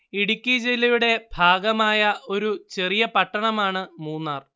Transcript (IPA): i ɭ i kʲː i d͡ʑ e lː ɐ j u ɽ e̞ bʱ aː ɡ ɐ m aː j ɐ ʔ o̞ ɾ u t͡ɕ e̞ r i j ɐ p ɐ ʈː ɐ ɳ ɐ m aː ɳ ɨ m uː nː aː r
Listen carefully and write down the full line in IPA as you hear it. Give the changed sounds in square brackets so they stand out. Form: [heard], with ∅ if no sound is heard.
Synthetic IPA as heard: i [ɽ] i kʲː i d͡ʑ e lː ɐ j u ɽ e̞ bʱ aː ɡ ɐ m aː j ɐ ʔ o̞ ɾ u t͡ɕ e̞ r i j ɐ p ɐ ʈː ɐ ɳ ɐ m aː ɳ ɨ m uː nː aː r